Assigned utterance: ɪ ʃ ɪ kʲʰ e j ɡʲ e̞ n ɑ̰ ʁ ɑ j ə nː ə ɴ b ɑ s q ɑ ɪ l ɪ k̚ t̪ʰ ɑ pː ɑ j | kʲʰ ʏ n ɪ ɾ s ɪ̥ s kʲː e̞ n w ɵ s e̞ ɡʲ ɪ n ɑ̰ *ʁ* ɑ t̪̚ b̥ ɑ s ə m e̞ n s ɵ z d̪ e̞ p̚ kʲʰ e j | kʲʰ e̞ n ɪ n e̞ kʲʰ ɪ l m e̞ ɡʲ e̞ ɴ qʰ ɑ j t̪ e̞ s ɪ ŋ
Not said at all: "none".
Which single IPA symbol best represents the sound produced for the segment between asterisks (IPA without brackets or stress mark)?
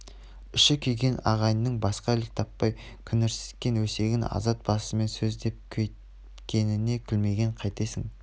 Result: z